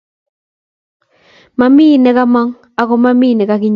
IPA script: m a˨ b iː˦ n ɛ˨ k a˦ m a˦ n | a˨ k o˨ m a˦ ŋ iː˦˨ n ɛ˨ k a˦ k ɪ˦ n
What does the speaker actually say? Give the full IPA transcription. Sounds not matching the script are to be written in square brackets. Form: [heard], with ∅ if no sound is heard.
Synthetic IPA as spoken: m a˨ [m] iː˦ n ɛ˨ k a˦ m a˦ [ŋ] | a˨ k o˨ m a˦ [m] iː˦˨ n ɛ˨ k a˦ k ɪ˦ [ɲ]

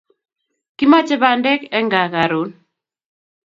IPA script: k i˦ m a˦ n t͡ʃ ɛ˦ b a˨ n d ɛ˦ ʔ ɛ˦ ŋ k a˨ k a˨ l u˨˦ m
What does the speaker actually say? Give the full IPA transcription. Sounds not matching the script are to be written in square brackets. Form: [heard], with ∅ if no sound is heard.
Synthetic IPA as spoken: k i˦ m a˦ [∅] t͡ʃ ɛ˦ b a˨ n d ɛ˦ [k] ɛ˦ ŋ [ɡ] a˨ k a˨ [ɾ] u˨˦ [n]

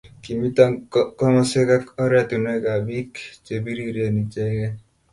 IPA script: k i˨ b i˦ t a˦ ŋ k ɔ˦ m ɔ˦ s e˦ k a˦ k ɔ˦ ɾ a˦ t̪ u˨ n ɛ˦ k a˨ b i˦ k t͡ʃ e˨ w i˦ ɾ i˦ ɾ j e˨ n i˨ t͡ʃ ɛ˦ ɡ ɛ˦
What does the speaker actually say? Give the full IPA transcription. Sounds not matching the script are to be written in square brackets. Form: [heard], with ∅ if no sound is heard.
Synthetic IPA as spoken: k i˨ [m] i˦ t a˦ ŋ k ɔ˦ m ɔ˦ s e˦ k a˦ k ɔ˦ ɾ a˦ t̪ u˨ n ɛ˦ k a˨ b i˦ k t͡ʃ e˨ [b] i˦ ɾ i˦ ɾ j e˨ n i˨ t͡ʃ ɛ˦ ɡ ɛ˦

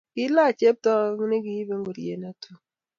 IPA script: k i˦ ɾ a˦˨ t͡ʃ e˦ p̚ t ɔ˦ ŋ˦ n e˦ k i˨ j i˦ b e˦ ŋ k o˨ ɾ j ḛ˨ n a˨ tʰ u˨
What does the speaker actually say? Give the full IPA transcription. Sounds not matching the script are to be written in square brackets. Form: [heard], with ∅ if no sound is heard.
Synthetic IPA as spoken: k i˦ [l] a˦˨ t͡ʃ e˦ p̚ t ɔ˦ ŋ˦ n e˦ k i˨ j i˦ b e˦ ŋ [ɡ] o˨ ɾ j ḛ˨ n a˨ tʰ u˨

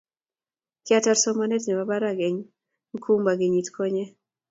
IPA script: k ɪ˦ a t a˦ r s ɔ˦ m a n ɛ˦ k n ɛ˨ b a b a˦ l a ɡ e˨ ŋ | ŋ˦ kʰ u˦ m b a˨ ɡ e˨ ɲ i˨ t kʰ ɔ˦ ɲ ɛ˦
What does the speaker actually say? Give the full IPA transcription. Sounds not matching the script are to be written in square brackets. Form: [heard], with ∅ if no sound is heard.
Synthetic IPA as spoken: k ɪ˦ a t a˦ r s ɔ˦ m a n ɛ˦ [t] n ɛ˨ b a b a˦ [ɾ] a ɡ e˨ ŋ | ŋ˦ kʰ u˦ m b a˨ ɡ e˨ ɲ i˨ t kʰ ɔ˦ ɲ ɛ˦

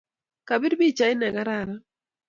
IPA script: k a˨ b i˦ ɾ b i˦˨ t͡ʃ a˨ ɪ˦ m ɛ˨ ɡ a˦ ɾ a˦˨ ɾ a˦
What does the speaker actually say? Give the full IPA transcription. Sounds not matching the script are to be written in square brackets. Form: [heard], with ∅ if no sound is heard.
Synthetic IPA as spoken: k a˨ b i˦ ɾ b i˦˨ t͡ʃ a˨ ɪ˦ [n] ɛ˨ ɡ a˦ ɾ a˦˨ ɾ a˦

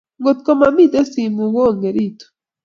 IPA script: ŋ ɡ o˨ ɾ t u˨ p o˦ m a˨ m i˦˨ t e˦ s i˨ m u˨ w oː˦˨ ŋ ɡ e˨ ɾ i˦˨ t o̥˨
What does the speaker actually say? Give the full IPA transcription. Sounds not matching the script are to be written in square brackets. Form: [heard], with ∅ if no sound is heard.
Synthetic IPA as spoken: ŋ ɡ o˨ [∅] t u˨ [k] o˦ m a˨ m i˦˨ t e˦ s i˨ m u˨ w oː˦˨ ŋ ɡ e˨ ɾ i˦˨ t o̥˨

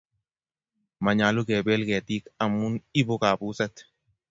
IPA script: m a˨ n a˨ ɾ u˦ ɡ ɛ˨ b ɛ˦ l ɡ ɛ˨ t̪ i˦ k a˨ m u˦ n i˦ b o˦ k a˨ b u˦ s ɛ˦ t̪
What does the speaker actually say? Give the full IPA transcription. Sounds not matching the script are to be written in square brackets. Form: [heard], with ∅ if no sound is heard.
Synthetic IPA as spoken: m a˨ [ɲ] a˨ [l] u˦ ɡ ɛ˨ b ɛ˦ l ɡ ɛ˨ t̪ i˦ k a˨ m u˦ n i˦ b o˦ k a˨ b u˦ s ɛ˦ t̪

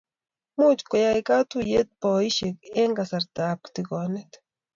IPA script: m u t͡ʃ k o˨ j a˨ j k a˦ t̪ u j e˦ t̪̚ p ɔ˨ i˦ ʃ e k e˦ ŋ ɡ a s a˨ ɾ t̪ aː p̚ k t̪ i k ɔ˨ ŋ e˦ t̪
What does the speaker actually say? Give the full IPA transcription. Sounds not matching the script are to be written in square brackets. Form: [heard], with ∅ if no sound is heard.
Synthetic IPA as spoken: m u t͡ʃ k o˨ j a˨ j k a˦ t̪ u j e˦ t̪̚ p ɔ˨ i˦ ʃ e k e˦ ŋ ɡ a s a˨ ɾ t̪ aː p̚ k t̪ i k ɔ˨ [n] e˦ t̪

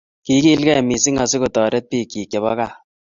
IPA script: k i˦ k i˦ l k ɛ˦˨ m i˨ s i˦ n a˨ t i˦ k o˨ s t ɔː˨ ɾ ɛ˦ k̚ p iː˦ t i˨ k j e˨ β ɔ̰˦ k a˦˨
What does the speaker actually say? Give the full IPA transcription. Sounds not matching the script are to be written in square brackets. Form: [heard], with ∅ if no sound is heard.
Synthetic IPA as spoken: k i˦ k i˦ l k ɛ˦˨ m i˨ s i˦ [ŋ] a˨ [s] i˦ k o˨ [∅] t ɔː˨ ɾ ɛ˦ [t̚] p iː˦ [k] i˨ k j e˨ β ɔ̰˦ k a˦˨

